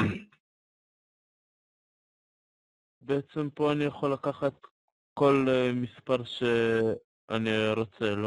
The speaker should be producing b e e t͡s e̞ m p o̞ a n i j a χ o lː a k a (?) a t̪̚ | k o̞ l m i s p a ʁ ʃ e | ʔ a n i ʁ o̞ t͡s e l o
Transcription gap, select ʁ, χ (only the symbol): χ